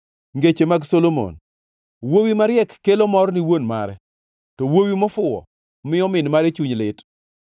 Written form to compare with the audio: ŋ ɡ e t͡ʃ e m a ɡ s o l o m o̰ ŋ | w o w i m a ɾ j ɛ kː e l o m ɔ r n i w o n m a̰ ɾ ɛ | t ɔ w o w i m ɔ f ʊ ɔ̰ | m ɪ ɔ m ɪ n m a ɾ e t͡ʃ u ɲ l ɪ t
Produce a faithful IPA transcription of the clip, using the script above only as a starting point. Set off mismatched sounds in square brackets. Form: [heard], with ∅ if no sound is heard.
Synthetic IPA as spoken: ŋ ɡ e t͡ʃ e m a ɡ s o l o m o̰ [n] | w o w i m a ɾ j ɛ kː e l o m ɔ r n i w o n m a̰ ɾ ɛ | t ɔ w o w i m ɔ f ʊ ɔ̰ | m ɪ ɔ m ɪ n m a ɾ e t͡ʃ u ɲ l ɪ t